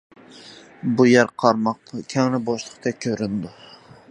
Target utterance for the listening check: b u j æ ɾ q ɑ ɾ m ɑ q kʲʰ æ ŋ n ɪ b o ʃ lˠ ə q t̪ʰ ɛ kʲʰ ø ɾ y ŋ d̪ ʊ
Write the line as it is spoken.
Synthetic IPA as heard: b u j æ ɾ qʰ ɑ ɾ m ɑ q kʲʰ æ ŋ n ɪ b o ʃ lˠ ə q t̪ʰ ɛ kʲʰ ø ɾ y n d̪ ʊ